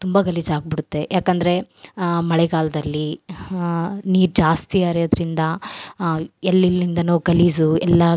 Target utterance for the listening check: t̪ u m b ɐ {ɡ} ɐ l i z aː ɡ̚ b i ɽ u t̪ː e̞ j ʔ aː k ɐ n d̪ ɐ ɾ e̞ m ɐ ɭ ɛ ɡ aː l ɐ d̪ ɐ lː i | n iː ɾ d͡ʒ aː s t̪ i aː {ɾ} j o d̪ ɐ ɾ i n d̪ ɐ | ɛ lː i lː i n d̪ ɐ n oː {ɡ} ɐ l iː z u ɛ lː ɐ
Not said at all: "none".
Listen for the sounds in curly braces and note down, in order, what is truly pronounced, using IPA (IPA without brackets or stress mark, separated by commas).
ɡ, ɾ, ɡ